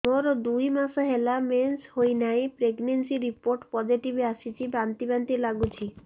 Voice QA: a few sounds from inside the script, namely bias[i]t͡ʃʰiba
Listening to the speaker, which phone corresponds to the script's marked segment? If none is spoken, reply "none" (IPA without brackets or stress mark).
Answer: i